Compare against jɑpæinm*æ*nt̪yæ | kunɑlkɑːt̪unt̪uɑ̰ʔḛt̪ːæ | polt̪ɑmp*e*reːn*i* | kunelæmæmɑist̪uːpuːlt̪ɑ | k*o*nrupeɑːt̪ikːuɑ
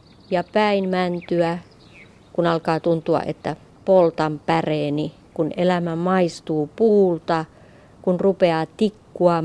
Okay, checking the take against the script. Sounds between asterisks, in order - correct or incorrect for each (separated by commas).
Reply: correct, incorrect, correct, incorrect